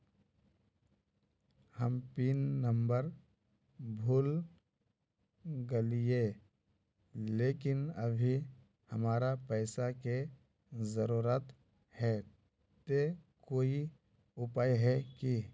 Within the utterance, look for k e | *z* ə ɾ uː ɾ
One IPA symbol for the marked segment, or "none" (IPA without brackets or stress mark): z